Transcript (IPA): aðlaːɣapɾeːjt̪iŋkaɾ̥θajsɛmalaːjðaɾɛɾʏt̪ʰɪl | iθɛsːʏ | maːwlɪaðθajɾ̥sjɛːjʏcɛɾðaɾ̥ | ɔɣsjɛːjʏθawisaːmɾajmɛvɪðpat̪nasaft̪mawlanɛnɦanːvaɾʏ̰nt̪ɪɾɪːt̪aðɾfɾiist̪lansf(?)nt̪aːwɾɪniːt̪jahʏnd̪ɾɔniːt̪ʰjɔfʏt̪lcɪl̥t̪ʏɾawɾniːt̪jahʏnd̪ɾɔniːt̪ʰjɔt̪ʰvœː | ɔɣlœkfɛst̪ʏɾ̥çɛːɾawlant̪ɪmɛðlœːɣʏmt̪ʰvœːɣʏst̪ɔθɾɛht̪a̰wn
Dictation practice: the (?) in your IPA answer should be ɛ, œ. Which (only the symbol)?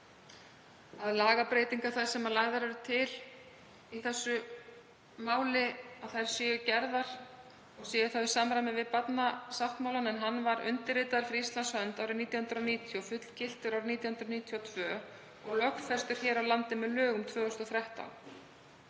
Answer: œ